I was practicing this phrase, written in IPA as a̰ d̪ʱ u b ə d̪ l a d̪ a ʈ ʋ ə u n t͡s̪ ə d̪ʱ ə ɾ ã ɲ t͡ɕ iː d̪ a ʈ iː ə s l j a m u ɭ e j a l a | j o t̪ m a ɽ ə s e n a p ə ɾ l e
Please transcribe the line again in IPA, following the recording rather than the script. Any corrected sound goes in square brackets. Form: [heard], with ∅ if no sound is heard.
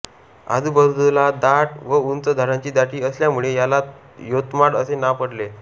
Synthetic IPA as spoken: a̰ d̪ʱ u b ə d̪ l a d̪ a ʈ ʋ ə u n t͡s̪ ə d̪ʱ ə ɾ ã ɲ t͡ɕ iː d̪ a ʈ iː ə s l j a m u ɭ e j a l a | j o t̪ m a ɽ ə s e n a p ə [ɽ] l e